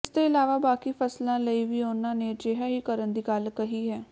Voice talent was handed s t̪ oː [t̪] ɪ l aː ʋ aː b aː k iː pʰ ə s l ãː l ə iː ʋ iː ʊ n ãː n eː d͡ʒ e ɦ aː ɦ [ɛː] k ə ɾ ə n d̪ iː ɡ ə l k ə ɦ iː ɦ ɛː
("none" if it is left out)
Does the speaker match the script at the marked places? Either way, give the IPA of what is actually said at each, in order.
none, iː

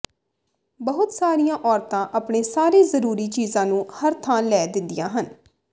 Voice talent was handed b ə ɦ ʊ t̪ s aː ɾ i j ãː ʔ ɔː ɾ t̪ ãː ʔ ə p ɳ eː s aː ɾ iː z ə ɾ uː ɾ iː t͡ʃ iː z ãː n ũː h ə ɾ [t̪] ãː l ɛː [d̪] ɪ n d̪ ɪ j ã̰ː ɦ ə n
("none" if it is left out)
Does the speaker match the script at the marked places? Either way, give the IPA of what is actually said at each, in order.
t̪ʰ, d̪

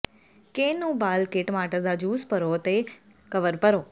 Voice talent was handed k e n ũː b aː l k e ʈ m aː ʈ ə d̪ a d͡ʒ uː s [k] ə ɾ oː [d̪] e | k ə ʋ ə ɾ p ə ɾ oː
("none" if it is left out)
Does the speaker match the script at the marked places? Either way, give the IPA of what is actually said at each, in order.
p, t̪

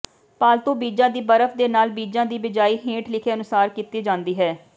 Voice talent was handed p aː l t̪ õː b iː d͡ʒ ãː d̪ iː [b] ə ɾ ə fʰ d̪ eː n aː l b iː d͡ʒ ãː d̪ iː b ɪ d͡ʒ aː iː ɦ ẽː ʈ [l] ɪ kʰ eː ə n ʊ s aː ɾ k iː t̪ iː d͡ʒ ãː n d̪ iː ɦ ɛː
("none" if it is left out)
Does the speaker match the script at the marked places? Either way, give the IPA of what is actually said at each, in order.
b, l

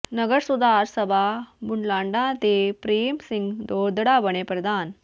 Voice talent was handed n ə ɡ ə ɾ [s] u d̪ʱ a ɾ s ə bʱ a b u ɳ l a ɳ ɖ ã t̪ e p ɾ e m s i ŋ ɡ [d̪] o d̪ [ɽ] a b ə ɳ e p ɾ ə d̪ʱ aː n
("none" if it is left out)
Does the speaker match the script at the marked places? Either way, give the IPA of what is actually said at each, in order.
s, d̪, ɽ

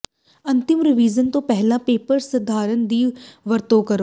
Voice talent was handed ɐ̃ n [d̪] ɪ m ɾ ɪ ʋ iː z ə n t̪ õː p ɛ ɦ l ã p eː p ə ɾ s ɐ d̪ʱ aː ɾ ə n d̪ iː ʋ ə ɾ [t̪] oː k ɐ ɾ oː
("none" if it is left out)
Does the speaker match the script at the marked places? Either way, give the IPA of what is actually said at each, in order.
t̪, t̪

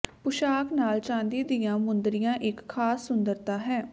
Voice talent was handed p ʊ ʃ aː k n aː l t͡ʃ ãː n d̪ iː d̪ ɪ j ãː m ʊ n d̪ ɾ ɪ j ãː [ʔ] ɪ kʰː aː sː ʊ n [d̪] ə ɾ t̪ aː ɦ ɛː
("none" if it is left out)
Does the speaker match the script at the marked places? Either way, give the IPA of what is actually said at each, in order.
ʔ, d̪

